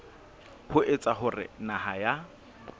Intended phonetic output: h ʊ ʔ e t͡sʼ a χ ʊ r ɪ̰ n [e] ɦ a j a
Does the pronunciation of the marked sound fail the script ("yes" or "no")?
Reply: yes